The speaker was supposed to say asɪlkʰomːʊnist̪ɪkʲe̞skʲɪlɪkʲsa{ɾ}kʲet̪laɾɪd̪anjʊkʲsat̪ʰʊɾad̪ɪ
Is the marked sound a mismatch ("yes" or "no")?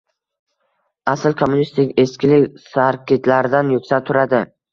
no